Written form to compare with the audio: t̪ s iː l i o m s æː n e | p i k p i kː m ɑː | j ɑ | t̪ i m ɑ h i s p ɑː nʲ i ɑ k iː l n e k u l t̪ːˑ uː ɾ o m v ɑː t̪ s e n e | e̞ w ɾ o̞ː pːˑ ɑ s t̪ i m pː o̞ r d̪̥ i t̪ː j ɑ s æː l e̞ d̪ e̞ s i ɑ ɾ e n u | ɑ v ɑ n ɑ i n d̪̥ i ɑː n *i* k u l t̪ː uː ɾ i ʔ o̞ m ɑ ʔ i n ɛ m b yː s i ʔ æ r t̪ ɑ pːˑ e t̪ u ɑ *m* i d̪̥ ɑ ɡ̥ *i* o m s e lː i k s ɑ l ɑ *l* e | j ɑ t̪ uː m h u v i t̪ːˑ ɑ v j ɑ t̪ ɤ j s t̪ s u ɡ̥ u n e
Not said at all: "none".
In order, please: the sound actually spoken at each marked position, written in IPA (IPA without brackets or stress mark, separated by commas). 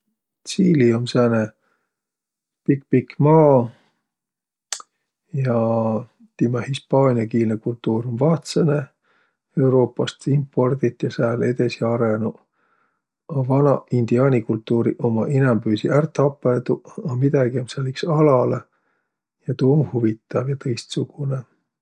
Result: i, m, i, l